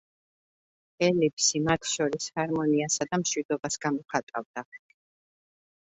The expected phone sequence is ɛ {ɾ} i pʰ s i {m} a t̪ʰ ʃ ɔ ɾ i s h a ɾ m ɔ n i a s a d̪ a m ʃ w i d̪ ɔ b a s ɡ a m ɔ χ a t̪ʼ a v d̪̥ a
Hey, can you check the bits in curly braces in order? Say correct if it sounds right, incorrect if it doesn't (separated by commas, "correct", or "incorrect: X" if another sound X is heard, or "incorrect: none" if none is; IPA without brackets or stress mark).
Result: incorrect: l, correct